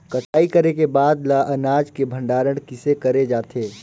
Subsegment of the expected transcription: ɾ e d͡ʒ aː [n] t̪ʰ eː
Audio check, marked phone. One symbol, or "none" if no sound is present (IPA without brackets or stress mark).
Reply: none